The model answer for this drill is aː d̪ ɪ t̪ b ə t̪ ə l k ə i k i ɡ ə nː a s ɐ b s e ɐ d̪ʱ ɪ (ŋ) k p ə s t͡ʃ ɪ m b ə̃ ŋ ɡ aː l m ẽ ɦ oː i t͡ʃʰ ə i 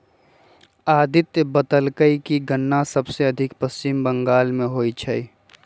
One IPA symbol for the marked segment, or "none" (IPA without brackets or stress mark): none